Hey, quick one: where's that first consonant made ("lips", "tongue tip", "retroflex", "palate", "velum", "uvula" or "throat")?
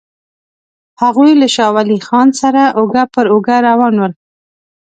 throat